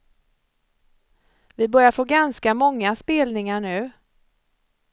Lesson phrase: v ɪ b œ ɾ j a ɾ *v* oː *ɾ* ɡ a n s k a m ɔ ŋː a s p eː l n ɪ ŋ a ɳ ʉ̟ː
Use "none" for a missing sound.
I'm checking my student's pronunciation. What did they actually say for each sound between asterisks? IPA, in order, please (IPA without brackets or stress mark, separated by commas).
f, none